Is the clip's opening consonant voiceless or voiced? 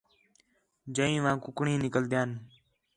voiced